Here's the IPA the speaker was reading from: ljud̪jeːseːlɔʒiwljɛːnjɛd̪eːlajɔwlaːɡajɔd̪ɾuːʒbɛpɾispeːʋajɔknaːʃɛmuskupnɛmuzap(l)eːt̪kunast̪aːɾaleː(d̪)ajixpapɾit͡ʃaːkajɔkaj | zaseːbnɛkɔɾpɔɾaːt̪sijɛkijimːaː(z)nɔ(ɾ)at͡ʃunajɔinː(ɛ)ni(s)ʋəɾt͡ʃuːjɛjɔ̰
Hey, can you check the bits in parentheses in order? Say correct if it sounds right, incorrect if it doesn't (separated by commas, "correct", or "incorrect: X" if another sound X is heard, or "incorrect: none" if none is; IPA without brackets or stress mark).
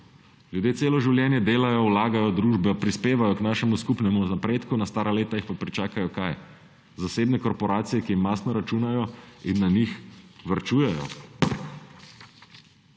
incorrect: ɾ, incorrect: t̪, incorrect: s, correct, incorrect: a, incorrect: x